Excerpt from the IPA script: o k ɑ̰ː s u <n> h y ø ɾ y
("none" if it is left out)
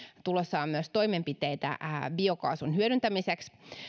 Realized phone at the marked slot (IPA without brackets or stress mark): n